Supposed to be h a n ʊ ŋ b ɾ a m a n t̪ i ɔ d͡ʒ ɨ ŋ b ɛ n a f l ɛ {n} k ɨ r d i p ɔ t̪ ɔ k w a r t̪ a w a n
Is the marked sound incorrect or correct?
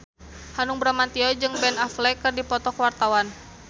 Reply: incorrect